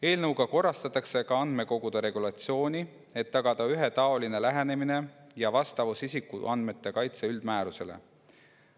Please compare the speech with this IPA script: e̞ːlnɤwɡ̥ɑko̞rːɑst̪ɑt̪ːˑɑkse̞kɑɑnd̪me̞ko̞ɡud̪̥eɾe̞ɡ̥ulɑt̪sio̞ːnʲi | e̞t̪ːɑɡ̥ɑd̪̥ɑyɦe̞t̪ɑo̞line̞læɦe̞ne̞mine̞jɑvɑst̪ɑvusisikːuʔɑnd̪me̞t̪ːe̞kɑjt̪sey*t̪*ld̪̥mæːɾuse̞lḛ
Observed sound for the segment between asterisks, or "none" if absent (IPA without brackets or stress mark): none